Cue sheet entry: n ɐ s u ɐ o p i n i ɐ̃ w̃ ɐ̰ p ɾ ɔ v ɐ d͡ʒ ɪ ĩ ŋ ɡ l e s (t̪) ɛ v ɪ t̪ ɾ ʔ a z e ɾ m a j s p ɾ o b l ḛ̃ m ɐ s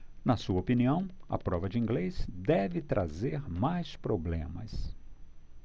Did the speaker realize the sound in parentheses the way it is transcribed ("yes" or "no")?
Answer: no